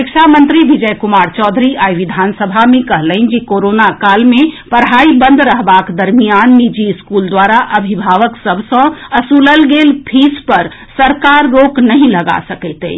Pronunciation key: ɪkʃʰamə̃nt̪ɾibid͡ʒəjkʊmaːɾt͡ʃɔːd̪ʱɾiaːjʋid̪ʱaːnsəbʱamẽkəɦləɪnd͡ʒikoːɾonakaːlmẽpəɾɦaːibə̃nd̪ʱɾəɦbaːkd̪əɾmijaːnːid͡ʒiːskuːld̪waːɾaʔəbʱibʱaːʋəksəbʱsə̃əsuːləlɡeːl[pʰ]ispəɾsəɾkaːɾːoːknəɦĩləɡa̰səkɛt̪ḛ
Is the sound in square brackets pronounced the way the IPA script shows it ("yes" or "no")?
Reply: yes